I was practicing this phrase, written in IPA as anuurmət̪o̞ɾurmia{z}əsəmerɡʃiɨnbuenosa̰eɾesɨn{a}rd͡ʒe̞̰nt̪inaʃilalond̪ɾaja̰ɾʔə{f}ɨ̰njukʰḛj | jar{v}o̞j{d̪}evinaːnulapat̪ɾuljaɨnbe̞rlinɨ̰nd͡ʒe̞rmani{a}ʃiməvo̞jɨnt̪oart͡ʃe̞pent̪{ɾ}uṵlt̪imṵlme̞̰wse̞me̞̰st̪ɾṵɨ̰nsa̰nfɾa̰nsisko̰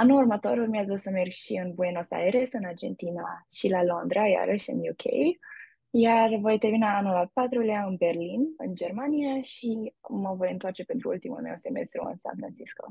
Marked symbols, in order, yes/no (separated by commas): yes, yes, no, yes, no, yes, yes